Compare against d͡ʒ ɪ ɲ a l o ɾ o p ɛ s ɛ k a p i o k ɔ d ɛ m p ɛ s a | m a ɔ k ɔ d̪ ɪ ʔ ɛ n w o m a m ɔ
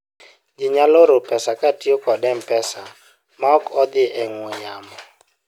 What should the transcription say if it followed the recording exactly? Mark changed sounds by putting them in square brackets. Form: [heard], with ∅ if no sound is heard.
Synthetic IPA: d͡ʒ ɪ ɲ a l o ɾ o p ɛ s [a] k a [t] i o k ɔ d ɛ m p ɛ s a | m a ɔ k ɔ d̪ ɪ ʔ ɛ [ŋ] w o [ɲ] a m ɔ